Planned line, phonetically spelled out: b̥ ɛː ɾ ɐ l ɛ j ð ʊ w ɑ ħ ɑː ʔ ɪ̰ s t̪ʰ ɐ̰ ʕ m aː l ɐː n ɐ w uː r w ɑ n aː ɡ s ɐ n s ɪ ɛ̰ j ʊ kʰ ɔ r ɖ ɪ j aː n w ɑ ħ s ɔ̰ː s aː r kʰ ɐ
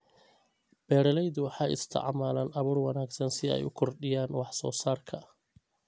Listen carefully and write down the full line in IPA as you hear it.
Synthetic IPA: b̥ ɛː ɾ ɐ l ɛ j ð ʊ w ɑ ħ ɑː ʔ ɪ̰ s t̪ʰ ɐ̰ ʕ m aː l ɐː n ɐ β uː r w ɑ n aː ɡ s ɐ n s ɪ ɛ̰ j ʊ kʰ ɔ r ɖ ɪ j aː n w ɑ ħ s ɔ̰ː s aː r kʰ ɐ